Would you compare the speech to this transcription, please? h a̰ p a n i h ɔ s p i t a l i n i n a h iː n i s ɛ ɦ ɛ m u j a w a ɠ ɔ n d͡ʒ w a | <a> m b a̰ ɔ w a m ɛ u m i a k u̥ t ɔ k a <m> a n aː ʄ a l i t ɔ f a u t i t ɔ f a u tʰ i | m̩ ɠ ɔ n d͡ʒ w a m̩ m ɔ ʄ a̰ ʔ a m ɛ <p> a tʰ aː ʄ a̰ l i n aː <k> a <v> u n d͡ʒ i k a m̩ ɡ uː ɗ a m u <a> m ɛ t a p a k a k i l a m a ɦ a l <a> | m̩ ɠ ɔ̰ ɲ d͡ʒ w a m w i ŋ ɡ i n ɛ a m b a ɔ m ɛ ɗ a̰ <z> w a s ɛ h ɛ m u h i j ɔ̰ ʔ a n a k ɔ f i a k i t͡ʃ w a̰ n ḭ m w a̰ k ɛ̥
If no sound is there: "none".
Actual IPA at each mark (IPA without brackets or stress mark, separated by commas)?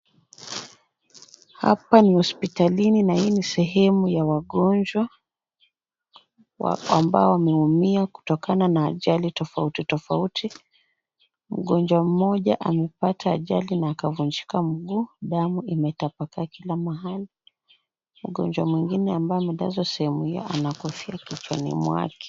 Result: a, n, p, k, v, i, i, z